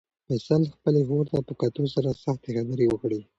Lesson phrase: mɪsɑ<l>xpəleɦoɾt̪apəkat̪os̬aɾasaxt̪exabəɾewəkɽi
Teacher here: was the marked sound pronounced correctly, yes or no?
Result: yes